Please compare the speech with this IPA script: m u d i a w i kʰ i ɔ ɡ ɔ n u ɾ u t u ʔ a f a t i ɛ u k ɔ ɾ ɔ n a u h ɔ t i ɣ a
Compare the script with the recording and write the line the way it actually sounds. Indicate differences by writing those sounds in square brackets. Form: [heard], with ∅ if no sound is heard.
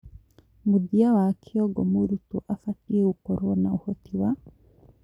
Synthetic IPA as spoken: m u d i a w [a] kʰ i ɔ ɡ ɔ [m] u ɾ u t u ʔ a f a t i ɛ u k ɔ ɾ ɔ n a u h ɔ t i [w] a